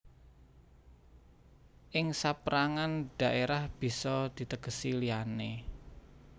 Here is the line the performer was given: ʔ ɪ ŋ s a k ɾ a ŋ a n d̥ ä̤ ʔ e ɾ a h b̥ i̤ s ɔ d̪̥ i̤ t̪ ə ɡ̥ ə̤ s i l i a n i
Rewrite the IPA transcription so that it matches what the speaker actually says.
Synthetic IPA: ʔ ɪ ŋ s a p ɾ a ŋ a n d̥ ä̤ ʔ e ɾ a h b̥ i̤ s ɔ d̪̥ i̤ t̪ ə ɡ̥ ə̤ s i l i a n e